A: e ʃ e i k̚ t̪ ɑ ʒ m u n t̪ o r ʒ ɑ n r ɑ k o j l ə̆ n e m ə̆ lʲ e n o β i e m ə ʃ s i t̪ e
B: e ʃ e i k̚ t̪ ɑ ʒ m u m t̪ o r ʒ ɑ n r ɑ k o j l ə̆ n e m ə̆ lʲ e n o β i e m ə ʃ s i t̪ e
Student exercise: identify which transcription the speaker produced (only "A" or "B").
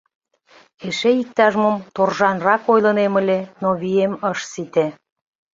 B